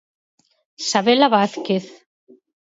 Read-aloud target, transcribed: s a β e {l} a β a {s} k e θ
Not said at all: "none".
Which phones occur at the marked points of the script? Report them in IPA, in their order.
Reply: l, θ

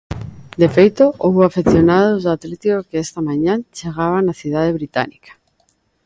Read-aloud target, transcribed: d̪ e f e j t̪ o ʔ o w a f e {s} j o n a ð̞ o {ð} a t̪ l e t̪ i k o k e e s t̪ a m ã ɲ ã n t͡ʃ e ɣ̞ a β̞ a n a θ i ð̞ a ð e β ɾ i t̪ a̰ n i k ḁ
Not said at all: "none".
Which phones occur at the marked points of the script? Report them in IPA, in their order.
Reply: θ, z

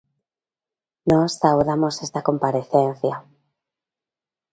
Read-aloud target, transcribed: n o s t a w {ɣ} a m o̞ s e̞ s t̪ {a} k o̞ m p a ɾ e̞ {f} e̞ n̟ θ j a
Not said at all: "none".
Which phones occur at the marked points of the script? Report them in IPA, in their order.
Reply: ð, a, θ

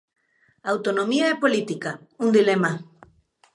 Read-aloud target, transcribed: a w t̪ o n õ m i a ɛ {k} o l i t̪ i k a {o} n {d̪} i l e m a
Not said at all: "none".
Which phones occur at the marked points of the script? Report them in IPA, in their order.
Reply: p, u, d̪

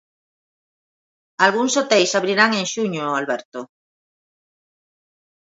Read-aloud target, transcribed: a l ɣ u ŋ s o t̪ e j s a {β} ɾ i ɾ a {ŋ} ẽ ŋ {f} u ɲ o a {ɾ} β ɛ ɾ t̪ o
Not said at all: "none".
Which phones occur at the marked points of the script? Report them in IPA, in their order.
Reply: β, ŋ, ʃ, l

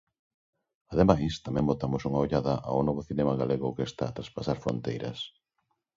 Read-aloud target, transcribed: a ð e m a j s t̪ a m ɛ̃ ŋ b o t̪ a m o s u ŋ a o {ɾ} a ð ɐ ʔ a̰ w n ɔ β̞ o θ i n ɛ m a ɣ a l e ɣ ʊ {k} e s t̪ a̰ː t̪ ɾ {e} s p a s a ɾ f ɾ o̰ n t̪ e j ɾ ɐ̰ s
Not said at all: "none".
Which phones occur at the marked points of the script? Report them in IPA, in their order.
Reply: ʎ, k, a

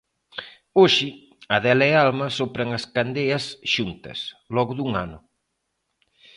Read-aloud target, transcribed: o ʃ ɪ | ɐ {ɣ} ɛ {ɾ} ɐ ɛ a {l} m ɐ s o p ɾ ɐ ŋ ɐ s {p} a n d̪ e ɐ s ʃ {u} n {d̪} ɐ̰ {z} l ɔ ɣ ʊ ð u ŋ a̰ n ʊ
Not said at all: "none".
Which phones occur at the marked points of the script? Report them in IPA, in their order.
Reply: ð, l, l, k, u, t̪, s

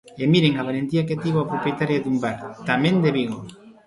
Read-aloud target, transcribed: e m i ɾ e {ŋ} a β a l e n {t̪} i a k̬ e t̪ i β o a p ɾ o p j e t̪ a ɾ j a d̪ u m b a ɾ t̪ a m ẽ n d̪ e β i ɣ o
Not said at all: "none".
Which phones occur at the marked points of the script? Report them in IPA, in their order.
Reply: ŋ, t̪

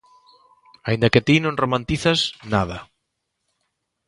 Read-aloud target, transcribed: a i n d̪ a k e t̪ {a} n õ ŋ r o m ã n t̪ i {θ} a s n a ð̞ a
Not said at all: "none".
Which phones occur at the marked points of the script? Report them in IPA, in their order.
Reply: i, θ

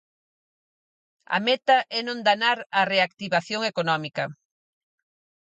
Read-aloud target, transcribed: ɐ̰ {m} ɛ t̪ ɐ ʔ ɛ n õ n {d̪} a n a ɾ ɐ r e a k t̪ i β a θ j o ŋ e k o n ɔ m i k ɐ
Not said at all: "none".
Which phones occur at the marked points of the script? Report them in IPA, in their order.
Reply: m, d̪

